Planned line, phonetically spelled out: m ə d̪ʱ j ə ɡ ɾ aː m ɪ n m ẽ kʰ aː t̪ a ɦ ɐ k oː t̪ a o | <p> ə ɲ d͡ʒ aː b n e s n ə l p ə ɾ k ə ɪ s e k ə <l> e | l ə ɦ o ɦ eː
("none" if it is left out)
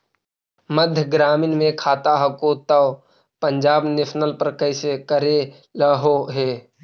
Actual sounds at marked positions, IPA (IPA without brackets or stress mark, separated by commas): p, ɾ